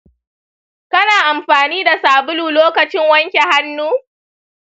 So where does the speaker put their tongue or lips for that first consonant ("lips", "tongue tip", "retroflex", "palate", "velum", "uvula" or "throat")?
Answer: velum